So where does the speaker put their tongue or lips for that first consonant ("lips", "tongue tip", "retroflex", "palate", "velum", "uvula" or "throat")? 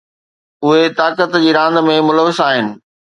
throat